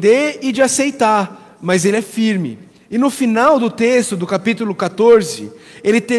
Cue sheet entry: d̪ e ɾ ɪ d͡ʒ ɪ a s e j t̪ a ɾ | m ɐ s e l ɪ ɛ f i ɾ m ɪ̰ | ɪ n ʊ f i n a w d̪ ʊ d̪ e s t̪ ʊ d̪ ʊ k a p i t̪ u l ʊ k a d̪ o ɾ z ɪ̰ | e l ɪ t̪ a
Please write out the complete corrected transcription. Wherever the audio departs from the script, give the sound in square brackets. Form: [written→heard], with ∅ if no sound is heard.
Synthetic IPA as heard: d̪ e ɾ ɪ d͡ʒ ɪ a s e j t̪ a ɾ | m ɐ [s→z] e l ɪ ɛ f i ɾ m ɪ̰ | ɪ n ʊ f i n a w d̪ ʊ [d̪→t̪] e s t̪ ʊ d̪ ʊ k a p i t̪ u l ʊ k a [d̪→t̪] o ɾ z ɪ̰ | e l ɪ t̪ [a→e]